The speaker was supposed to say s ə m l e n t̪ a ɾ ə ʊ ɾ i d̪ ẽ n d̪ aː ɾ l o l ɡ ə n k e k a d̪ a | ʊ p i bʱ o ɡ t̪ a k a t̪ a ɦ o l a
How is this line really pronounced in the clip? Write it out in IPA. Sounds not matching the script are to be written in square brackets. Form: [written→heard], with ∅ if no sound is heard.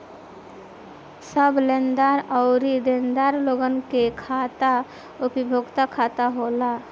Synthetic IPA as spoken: s ə [m→b] l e n [t̪→d̪] a ɾ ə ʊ ɾ i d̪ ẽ n d̪ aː ɾ l o [l→∅] ɡ ə n k e [k→kʰ] a [d̪→t̪] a | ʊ p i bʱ o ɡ t̪ a [k→kʰ] a t̪ a ɦ o l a